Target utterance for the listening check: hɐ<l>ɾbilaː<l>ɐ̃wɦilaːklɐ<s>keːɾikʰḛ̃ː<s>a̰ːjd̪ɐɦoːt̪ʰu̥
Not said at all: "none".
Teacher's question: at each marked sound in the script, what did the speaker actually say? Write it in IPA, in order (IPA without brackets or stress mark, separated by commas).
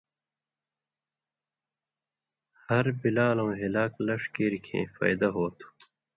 none, l, ʂ, f